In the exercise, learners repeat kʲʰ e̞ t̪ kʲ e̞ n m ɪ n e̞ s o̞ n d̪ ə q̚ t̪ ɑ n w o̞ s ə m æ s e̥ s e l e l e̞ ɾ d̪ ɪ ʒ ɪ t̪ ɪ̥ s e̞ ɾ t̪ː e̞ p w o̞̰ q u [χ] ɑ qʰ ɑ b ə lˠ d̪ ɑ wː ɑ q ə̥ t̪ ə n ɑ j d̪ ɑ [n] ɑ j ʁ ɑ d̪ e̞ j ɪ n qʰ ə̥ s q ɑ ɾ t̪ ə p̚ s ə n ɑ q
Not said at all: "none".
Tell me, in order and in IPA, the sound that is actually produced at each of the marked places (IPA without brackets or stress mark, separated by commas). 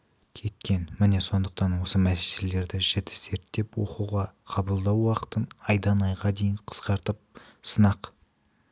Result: ʁ, n